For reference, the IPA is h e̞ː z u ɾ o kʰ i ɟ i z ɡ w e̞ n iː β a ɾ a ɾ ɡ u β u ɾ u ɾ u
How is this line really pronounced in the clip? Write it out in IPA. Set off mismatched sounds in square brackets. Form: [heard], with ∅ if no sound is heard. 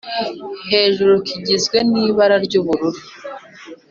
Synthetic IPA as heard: h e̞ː [ʒ] u ɾ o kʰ i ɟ i z ɡ w e̞ n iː β a ɾ a ɾ [ɟ] u β u ɾ u ɾ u